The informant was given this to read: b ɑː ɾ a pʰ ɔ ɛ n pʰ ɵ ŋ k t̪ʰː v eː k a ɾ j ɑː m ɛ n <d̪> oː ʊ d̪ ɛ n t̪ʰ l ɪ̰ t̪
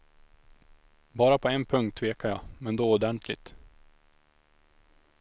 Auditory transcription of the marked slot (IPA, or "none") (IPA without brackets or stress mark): d̪